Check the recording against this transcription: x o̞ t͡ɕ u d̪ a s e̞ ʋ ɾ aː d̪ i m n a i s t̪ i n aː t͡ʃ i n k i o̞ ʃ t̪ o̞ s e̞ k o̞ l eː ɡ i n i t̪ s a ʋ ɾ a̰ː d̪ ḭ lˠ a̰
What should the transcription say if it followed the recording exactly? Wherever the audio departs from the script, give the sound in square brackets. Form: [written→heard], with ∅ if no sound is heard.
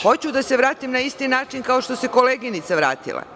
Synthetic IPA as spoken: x o̞ t͡ɕ u d̪ a s e̞ ʋ ɾ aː [d̪→t̪] i m n a i s t̪ i n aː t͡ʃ i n k [i→a] o̞ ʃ t̪ o̞ s e̞ k o̞ l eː ɡ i n i t̪ s a ʋ ɾ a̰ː [d̪→t̪] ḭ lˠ a̰